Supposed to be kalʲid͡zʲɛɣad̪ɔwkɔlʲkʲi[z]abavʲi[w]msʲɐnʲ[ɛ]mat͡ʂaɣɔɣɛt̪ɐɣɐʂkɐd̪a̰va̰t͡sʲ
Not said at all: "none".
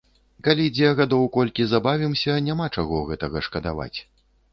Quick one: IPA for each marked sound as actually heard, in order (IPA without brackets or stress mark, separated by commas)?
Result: z, none, a